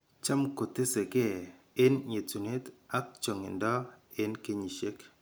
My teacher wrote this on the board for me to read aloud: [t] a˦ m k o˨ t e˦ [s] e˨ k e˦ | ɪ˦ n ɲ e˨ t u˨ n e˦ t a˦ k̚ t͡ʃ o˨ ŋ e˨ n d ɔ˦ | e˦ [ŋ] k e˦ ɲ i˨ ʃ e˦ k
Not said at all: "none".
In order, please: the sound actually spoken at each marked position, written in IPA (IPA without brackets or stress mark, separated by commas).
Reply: t͡ʃ, s, n